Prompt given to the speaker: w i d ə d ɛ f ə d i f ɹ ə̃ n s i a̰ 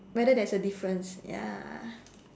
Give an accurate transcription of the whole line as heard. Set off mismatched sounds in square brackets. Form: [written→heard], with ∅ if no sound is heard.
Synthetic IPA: w [i→ɛ] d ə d ɛ [f→s] ə d i f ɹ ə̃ n s [i→j] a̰